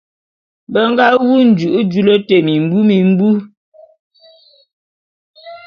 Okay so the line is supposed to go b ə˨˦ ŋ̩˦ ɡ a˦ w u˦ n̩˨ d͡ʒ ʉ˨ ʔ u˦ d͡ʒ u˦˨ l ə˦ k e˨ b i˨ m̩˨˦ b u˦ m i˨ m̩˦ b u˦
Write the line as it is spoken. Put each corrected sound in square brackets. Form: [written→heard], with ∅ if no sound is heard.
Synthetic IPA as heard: b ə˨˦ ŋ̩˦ ɡ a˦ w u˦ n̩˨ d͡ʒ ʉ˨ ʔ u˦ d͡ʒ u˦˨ l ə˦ [k→t] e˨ [b→m] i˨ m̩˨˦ b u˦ m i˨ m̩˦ b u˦